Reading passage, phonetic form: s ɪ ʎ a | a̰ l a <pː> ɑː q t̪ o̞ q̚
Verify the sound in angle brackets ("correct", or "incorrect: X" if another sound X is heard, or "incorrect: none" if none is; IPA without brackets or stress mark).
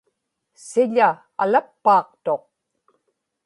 correct